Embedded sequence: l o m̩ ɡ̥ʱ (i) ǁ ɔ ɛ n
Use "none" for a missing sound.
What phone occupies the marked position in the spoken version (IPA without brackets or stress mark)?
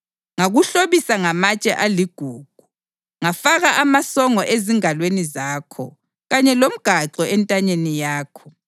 a